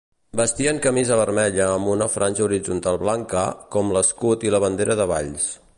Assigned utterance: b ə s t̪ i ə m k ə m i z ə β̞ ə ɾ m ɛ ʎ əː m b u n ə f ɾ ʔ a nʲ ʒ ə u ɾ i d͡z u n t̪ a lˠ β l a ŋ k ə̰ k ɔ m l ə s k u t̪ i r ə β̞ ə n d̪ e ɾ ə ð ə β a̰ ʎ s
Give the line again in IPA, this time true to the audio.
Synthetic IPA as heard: b ə s t̪ i ə ŋ k ə m i z ə β̞ ə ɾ m ɛ ʎ əː m b u n ə f ɾ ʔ a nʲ ʒ ə u ɾ i d͡z u n t̪ a lˠ β l a ŋ k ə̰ k ɔ m l ə s k u t̪ i l ə β̞ ə n d̪ e ɾ ə ð ə β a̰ ʎ s

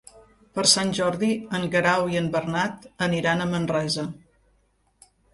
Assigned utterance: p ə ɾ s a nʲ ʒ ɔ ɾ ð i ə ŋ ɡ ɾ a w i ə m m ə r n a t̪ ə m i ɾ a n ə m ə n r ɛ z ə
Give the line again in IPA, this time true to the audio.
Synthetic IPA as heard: p ə ɾ s a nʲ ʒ ɔ ɾ ð i ə ŋ ɡ ɾ a w i ə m b ə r n a t̪ ə n i ɾ a n ə m ə n r ɛ z ə

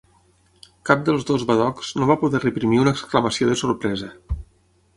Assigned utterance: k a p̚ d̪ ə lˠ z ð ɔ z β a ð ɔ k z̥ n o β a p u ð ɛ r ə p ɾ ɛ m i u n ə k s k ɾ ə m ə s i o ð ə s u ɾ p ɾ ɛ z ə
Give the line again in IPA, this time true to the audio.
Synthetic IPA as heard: k a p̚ d̪ ə lˠ z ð o z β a ð ɔ k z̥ n o β a p u ð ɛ r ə p ɾ i m i u n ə k s k l ə m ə s i o ð ə s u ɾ p ɾ ɛ z ə

